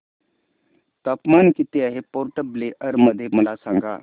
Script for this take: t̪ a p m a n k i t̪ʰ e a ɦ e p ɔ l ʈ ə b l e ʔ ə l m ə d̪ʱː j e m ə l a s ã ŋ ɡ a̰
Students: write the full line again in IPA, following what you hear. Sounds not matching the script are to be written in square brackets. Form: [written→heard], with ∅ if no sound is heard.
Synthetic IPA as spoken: t̪ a p m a n k i [t̪ʰ→t̪] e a ɦ e p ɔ [l→ɾ] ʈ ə b l e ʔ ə [l→ɾ] m ə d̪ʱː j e m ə l a s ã ŋ ɡ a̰

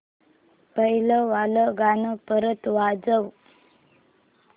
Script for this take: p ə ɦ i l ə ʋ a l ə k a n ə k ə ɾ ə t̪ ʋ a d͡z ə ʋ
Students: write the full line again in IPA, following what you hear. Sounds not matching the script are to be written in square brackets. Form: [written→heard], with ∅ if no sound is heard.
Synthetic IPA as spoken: p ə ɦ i l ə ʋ a l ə [k→ɡ] a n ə [k→p] ə ɾ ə t̪ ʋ a d͡z ə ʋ

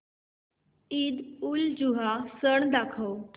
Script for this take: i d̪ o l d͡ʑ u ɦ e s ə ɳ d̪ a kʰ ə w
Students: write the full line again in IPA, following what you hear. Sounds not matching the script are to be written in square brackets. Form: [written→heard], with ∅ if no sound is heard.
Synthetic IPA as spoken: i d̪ [o→u] l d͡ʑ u ɦ [e→a] s ə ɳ d̪ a kʰ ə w

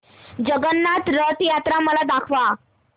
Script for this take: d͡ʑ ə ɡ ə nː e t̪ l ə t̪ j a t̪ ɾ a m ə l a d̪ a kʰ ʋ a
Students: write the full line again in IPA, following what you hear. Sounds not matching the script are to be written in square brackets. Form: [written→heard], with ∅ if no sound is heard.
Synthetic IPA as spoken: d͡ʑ ə ɡ ə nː [e→a] t̪ [l→ɾ] ə t̪ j a t̪ ɾ a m ə l a d̪ a kʰ ʋ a

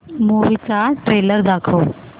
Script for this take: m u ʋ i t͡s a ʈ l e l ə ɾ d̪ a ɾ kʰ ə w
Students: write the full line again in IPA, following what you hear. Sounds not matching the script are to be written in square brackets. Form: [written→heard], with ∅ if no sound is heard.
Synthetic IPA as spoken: m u ʋ i t͡s a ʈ [l→ɾ] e l ə ɾ d̪ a [ɾ→∅] kʰ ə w

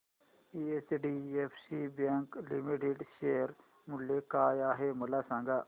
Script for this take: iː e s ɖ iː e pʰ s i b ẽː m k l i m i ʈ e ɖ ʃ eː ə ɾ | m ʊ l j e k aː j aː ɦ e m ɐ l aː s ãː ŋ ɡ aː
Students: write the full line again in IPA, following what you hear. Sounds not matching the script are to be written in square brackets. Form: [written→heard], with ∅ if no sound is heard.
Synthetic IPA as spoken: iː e s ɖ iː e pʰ s i b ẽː [m→ŋ] k l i m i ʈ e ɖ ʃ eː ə ɾ | m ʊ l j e k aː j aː ɦ e m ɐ l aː s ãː ŋ ɡ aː

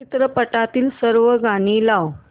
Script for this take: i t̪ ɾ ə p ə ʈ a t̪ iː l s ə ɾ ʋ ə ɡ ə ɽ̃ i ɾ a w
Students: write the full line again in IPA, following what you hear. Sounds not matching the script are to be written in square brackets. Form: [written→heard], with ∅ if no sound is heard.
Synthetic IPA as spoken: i t̪ ɾ ə p ə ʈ a t̪ iː l s ə ɾ ʋ ə ɡ [ə→a] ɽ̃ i [ɾ→l] a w

